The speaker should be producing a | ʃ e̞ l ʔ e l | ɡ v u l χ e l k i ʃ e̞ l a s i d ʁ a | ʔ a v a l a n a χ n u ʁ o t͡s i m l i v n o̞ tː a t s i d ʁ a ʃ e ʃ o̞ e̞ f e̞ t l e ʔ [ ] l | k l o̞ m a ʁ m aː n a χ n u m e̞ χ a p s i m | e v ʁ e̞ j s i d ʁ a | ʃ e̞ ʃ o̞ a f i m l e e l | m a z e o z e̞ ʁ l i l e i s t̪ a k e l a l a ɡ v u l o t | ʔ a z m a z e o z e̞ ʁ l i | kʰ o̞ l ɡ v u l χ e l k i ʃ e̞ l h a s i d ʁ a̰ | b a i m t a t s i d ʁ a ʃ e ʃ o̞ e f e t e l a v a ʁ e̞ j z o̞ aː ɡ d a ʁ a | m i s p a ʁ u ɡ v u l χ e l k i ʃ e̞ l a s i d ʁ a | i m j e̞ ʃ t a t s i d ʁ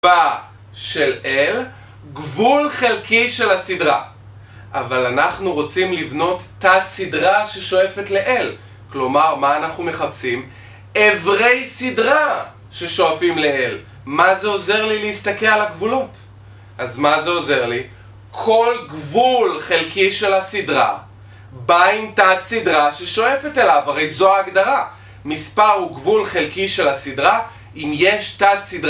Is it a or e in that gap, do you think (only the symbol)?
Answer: e